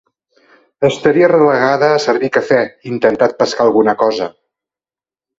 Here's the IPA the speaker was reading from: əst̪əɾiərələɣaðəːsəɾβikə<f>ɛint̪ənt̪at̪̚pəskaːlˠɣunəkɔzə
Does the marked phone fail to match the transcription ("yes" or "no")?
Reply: no